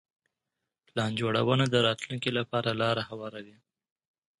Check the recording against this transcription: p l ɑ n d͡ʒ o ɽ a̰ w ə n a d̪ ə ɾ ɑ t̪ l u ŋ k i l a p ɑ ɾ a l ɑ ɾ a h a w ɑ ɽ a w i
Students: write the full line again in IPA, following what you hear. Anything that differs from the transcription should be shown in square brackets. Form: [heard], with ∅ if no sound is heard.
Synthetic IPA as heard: p l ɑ n d͡ʒ o ɽ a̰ w ə n a d̪ ə ɾ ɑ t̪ l u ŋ k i l a p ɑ ɾ a l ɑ ɾ a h a w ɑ [ɾ] a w i